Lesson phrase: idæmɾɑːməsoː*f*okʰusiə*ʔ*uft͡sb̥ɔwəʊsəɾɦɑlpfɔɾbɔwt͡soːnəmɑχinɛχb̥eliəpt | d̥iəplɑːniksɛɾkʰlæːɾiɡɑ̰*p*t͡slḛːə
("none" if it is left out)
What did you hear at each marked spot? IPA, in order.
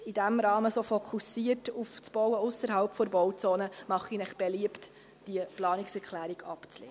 f, t, p

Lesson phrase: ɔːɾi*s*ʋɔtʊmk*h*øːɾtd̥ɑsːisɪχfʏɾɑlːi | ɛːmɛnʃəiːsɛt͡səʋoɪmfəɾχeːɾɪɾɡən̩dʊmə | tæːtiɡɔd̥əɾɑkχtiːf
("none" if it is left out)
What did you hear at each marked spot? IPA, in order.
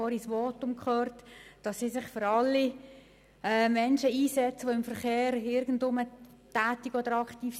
s, χ

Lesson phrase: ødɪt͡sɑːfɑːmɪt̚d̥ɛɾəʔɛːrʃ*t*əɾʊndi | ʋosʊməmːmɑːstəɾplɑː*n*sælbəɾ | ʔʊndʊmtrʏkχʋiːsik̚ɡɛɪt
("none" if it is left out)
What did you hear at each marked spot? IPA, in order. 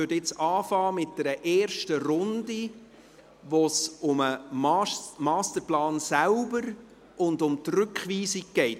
t, n

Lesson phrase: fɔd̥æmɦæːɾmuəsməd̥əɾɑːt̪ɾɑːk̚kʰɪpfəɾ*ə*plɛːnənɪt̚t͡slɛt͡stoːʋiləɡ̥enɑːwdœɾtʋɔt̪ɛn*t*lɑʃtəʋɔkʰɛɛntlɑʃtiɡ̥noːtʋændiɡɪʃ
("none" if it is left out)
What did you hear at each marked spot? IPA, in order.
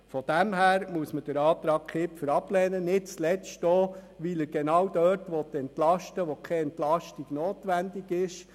ɑ, t

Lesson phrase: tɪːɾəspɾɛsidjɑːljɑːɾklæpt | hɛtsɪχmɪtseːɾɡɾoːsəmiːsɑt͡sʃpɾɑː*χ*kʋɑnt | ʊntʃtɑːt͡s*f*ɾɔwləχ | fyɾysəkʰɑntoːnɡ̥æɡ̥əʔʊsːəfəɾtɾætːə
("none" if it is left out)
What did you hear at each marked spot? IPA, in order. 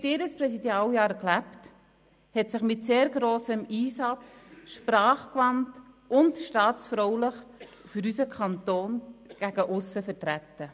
χ, f

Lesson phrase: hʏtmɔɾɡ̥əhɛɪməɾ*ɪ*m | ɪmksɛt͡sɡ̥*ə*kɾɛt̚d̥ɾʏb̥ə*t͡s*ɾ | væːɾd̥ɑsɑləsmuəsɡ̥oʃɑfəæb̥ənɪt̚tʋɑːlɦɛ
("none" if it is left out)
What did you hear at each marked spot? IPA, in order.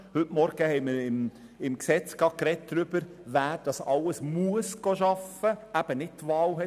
ɪ, ɑ, none

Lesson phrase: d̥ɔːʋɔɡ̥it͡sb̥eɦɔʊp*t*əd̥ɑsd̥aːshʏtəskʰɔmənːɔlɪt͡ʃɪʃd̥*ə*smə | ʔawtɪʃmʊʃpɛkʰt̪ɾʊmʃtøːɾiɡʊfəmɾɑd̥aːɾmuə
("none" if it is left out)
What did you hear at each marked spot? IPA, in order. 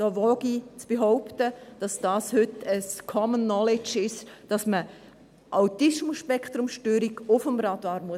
t, ɑ

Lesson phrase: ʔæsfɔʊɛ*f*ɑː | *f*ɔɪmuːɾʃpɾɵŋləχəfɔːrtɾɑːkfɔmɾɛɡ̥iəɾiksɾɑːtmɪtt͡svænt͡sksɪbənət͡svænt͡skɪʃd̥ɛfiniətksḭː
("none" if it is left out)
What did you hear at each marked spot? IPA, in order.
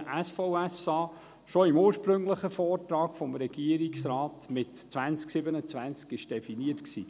s, ʃ

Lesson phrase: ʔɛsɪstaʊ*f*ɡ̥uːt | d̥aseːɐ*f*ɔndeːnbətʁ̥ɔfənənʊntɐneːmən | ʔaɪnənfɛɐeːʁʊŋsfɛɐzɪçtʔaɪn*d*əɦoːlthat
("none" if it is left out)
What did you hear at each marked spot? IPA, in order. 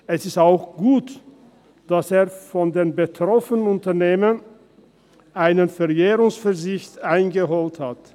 x, f, ɡ

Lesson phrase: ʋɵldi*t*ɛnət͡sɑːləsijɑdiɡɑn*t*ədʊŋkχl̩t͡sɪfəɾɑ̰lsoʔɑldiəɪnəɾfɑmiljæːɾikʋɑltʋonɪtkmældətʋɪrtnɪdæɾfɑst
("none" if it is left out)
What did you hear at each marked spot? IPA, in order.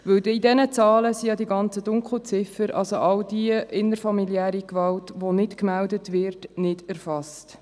d, t͡s

